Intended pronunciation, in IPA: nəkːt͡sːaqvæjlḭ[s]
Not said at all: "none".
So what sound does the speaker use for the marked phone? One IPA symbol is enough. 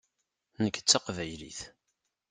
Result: θ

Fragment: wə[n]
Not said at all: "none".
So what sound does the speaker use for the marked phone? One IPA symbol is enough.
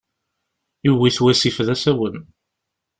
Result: n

